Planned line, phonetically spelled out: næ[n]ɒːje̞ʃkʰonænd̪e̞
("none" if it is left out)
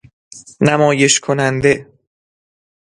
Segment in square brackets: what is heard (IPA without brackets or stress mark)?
m